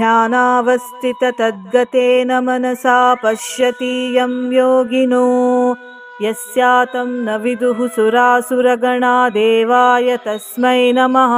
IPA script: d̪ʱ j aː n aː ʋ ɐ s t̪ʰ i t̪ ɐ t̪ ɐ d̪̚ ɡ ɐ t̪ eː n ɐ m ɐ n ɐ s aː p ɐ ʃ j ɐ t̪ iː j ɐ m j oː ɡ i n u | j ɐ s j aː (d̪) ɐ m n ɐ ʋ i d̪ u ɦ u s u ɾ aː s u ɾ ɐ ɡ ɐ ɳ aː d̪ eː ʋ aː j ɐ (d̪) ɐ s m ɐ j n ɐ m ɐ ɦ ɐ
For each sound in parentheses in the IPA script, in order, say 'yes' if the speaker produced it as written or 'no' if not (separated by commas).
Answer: no, no